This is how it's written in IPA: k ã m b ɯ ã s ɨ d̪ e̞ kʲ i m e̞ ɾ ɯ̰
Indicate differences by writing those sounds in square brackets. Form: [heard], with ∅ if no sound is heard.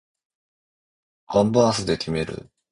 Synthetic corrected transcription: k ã m b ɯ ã s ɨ d̪ e̞ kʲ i m e̞ ɾ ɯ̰